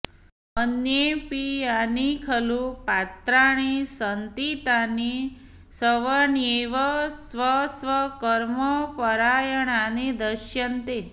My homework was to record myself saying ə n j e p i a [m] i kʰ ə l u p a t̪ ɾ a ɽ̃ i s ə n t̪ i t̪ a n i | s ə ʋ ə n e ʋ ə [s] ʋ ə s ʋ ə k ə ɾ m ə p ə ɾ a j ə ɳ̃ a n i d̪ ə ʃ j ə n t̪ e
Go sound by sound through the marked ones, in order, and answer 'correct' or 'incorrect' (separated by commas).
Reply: incorrect, correct